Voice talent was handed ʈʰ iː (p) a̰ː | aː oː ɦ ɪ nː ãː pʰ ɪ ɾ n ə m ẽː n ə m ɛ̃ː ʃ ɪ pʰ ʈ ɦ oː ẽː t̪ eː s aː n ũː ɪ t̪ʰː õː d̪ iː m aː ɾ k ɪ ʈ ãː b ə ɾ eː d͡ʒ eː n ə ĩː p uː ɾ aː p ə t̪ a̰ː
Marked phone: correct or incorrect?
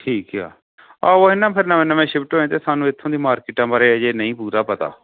incorrect